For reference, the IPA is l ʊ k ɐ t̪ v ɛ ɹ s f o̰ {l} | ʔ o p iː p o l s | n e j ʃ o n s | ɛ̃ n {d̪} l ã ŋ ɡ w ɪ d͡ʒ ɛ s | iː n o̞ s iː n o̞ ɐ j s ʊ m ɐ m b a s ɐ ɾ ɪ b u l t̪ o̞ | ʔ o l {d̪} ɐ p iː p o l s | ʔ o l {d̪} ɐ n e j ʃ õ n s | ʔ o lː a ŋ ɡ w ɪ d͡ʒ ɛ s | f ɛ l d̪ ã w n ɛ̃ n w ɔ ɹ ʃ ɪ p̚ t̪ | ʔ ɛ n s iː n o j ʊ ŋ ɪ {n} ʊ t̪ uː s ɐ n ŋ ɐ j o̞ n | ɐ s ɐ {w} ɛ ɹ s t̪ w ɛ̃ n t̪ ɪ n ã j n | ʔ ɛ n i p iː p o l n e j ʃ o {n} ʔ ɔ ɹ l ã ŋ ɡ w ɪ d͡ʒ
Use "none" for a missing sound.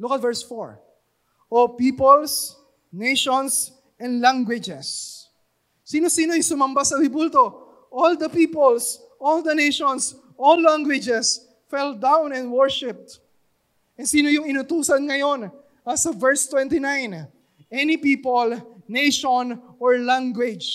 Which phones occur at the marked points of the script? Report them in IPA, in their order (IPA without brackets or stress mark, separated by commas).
ɹ, d̪, d̪, d̪, n, v, n